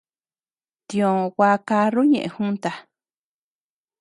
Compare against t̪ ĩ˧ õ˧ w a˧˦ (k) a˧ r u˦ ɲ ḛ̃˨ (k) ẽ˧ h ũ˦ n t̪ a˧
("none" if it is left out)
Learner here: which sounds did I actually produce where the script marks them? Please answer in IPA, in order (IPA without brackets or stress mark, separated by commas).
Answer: k, ʔ